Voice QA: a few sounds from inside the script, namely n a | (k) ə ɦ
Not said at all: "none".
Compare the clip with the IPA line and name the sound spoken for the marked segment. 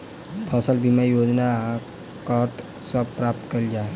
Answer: k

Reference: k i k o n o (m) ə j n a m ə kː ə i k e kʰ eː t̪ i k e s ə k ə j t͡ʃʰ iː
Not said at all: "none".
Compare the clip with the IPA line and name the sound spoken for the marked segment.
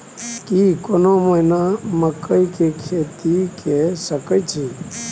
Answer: m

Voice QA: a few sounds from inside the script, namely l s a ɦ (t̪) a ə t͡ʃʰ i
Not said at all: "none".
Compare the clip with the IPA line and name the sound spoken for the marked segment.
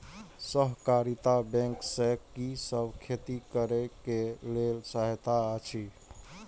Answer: t̪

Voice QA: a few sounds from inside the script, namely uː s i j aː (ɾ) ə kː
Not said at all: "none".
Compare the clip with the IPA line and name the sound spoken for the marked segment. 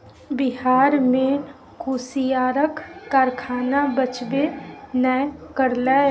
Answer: ɾ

